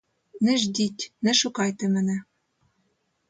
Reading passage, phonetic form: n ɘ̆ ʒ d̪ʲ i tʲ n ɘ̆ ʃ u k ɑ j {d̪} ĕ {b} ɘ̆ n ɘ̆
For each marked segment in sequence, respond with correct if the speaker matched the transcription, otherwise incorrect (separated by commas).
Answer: incorrect, incorrect